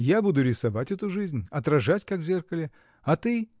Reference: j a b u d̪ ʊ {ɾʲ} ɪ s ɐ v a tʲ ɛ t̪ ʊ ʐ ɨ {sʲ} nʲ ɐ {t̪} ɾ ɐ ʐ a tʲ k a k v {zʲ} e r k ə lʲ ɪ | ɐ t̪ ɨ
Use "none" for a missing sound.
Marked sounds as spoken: ɾʲ, zʲ, t̪, zʲ

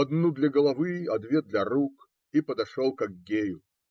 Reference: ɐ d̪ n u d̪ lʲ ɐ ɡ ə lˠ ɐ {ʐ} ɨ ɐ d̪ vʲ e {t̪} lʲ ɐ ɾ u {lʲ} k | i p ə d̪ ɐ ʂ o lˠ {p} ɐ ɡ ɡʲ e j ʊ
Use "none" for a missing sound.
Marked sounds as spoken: v, d̪, none, k

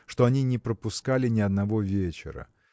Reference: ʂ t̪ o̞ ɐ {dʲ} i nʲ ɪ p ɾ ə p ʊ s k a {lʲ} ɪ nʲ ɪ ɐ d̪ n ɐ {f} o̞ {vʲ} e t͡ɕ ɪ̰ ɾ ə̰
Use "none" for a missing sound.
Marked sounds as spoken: nʲ, lʲ, v, vʲ

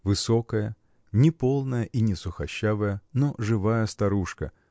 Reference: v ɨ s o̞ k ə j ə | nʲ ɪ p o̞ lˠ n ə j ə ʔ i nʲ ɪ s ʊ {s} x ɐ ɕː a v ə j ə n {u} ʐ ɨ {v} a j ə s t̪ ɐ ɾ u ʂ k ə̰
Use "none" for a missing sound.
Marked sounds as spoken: none, o, v

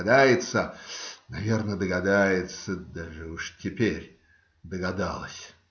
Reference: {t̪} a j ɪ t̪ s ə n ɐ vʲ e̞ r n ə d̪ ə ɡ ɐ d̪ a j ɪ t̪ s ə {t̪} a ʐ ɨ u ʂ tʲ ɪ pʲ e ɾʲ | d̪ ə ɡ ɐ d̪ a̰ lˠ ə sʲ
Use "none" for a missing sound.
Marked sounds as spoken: d̪, d̪

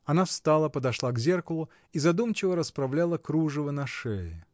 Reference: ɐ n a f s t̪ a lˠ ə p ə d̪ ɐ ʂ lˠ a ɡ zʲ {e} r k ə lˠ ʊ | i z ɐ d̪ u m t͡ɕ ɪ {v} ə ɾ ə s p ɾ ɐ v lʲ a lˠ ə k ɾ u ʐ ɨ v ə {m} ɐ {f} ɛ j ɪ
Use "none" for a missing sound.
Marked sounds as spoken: e, v, n, ʂ

